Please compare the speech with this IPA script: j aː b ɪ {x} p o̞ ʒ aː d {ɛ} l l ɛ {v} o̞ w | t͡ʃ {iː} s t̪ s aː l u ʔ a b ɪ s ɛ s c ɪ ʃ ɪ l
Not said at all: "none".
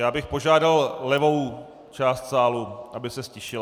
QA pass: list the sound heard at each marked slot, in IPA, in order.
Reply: x, a, v, aː

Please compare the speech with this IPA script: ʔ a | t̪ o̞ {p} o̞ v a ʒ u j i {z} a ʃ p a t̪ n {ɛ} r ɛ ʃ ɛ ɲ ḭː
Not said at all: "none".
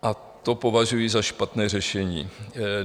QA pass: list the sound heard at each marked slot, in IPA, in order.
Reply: p, z, ɛː

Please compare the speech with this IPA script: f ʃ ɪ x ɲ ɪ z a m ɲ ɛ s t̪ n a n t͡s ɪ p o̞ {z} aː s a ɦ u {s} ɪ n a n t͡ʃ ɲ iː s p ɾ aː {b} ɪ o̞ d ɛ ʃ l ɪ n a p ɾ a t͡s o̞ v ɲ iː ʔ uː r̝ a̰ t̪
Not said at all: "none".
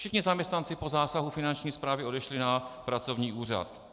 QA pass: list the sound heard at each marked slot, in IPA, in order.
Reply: z, f, v

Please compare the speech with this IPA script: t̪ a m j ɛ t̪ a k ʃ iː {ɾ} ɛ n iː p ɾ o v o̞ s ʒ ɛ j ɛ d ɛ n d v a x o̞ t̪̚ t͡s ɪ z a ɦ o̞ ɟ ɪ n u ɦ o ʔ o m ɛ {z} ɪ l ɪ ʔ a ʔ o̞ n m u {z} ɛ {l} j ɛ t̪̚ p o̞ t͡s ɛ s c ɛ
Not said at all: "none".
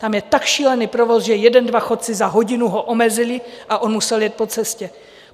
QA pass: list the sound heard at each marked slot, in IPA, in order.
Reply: l, z, s, l

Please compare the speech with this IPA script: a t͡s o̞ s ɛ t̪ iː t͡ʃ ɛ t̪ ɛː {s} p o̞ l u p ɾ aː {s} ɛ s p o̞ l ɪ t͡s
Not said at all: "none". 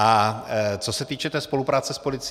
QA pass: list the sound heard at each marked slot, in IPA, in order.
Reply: s, t͡s

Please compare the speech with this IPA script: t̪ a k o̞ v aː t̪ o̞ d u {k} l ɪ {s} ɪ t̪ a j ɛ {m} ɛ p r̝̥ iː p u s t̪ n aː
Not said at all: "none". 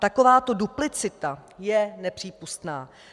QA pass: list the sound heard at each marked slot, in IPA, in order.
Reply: p, t͡s, n

